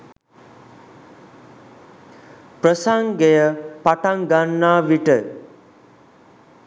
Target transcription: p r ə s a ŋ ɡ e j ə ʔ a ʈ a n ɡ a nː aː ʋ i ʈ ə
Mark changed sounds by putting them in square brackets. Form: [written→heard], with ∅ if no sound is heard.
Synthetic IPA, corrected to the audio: p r ə s a ŋ ɡ e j ə [ʔ→p] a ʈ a [n→ŋ] ɡ a nː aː ʋ i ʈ ə